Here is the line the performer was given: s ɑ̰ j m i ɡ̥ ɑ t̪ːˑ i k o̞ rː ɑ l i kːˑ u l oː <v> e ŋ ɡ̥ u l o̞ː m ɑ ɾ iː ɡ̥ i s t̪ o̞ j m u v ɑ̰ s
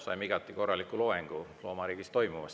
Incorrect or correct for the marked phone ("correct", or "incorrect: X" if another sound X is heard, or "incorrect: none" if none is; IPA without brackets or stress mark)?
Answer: incorrect: none